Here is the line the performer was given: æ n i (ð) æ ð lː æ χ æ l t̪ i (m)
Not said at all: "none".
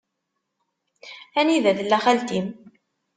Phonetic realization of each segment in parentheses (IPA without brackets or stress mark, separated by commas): ð, m